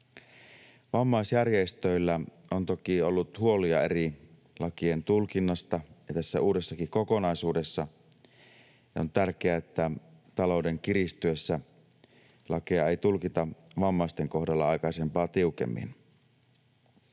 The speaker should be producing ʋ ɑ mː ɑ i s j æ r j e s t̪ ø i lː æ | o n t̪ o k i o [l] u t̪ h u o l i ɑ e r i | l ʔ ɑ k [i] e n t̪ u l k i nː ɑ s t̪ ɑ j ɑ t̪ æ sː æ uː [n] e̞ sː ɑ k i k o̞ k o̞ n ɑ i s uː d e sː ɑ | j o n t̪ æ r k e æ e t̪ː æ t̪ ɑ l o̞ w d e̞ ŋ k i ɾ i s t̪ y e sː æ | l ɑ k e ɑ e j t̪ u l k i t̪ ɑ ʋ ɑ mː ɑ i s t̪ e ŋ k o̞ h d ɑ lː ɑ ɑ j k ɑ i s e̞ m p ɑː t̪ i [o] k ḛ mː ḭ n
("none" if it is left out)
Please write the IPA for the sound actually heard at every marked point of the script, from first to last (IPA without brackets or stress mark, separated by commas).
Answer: lː, i, d, u